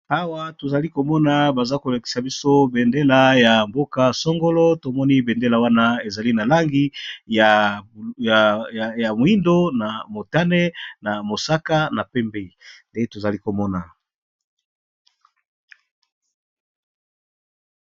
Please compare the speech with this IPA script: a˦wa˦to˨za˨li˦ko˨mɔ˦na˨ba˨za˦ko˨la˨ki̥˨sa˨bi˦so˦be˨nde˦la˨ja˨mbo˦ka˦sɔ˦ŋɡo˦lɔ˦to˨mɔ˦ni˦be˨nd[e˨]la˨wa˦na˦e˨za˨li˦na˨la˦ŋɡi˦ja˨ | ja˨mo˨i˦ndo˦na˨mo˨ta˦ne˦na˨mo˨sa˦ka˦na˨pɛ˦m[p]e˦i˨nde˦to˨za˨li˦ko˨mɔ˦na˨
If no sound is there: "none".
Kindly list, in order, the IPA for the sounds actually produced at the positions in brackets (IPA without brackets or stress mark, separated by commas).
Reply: e˦, b